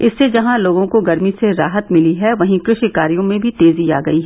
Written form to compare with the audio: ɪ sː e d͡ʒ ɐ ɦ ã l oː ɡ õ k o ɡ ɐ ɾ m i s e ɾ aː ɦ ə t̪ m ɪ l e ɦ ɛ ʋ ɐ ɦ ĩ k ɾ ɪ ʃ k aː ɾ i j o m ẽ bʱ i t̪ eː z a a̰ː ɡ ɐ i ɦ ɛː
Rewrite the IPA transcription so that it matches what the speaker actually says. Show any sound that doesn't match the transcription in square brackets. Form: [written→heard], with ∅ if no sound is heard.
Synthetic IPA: ɪ sː e d͡ʒ ɐ ɦ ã l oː ɡ õ k o ɡ ɐ ɾ m i s e ɾ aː ɦ ə t̪ m ɪ l [e→i] ɦ ɛ ʋ ɐ ɦ ĩ k ɾ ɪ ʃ k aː ɾ i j [o→õ] m ẽ bʱ i t̪ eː z [a→i] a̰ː ɡ ɐ i ɦ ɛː

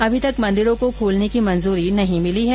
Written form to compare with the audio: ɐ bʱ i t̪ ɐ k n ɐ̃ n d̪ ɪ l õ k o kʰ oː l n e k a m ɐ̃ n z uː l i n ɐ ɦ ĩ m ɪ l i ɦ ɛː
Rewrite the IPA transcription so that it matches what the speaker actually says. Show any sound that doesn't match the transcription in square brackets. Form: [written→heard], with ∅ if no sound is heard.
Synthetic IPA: ɐ bʱ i t̪ ɐ k [n→m] ɐ̃ n d̪ ɪ [l→ɾ] õ k o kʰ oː l n e k [a→i] m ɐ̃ n z uː [l→ɾ] i n ɐ ɦ ĩ m ɪ l i ɦ ɛː

